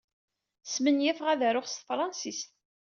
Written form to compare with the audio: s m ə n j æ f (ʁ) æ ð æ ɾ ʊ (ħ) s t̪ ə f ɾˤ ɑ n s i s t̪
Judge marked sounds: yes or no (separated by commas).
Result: yes, no